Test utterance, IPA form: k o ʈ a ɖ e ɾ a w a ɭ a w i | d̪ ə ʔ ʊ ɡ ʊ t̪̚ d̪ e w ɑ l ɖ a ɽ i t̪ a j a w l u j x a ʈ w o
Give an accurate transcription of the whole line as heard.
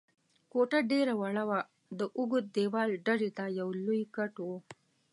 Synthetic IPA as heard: k o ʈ a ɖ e ɾ a w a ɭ a w a | d̪ ə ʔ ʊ ɡ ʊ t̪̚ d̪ e w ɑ l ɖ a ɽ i t̪ a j a w l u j k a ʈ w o